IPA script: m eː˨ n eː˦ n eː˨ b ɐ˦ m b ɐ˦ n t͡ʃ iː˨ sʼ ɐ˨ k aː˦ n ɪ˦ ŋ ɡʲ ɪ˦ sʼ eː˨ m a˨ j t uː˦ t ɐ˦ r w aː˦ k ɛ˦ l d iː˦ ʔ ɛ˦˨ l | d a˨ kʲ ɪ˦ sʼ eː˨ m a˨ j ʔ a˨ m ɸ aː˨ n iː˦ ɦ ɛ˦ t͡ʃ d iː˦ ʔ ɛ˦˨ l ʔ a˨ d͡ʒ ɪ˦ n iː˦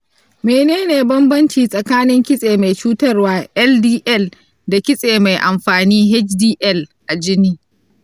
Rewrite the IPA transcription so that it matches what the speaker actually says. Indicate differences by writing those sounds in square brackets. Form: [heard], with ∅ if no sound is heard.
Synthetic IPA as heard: m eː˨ n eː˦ n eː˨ b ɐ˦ m b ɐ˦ n t͡ʃ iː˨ sʼ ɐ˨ k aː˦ n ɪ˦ ŋ [kʲ] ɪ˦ sʼ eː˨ m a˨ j [t͡ʃ] uː˦ t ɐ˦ r w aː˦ [ʔ] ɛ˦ l d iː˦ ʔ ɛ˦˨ l | d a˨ kʲ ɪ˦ sʼ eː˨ m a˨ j ʔ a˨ m ɸ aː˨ n iː˦ ɦ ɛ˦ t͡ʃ d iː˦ ʔ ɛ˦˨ l ʔ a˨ d͡ʒ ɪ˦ n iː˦